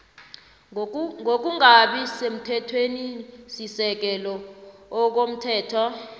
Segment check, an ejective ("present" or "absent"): absent